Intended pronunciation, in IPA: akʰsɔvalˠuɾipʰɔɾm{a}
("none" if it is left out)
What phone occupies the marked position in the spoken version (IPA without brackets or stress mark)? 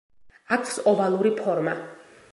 a